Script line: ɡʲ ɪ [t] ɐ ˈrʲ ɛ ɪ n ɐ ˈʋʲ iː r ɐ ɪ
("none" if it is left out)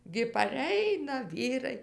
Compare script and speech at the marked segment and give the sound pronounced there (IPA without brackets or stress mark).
p